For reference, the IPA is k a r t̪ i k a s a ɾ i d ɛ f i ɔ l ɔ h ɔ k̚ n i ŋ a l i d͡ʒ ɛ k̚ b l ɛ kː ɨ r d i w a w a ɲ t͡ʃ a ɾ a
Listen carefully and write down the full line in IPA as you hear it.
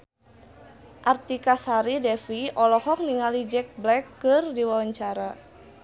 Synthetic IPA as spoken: ʔ a r t̪ i k a s a ɾ i d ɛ f i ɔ l ɔ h ɔ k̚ n i ŋ a l i d͡ʒ ɛ k̚ b l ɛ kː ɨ r d i w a w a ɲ t͡ʃ a ɾ a